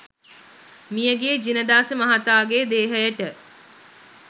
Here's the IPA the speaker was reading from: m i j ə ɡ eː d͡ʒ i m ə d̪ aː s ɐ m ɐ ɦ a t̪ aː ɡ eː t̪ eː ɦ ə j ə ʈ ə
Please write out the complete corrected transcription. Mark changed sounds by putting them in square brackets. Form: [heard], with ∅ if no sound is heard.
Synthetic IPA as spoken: m i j ə ɡ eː d͡ʒ i [n] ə d̪ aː s [ə] m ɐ ɦ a t̪ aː ɡ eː [d̪] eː ɦ ə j ə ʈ ə